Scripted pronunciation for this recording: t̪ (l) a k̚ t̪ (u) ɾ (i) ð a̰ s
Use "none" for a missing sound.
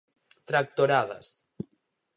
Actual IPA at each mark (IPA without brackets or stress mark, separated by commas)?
ɾ, o, a